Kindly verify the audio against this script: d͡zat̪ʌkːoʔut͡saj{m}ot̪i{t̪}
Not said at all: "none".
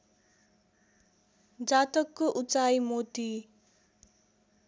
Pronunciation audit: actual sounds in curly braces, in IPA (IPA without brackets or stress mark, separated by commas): m, none